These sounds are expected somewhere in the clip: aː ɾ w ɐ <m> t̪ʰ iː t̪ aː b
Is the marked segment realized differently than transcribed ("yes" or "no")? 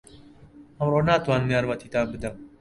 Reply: yes